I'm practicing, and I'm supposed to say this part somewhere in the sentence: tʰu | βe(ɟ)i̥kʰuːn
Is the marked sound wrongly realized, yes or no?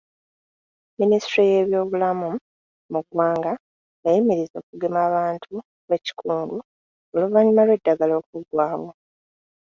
yes